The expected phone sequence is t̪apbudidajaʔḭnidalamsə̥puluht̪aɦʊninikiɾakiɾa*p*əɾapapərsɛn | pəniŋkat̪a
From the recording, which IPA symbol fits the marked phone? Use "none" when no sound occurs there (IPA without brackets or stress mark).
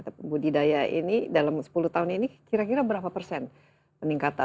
b